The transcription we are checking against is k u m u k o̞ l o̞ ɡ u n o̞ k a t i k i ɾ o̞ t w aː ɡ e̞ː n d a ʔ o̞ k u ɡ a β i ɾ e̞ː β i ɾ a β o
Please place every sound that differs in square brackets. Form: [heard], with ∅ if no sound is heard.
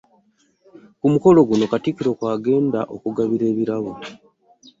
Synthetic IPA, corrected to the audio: k u m u k o̞ l o̞ ɡ u n o̞ k a t i k i ɾ o̞ [k] w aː ɡ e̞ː n d a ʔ o̞ k u ɡ a β i ɾ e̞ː β i ɾ a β o